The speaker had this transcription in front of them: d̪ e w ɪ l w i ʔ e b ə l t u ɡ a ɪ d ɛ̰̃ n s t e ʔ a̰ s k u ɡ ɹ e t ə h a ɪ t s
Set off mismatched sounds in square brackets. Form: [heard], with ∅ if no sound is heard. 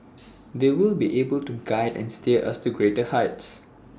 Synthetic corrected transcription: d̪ e w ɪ l [b] i ʔ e b ə l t u ɡ a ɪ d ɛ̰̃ n s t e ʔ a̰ s [t] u ɡ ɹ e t ə h a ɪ t s